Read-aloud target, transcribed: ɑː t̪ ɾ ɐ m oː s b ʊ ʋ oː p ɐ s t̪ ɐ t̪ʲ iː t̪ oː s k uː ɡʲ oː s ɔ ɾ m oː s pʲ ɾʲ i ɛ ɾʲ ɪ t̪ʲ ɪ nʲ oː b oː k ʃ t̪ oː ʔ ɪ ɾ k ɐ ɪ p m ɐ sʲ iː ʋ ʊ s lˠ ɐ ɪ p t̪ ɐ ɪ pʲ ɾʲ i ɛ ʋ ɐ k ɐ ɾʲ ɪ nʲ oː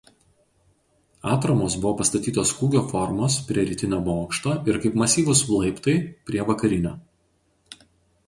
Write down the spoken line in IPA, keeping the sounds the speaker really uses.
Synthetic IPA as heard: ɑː t̪ ɾ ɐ m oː s b ʊ ʋ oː p ɐ s t̪ ɐ t̪ʲ iː t̪ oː s k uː ɡʲ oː f ɔ ɾ m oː s pʲ ɾʲ i ɛ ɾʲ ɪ t̪ʲ ɪ nʲ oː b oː k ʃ t̪ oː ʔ ɪ ɾ k ɐ ɪ p m ɐ sʲ iː ʋ ʊ s lˠ ɐ ɪ p t̪ ɐ ɪ pʲ ɾʲ i ɛ ʋ ɐ k ɐ ɾʲ ɪ nʲ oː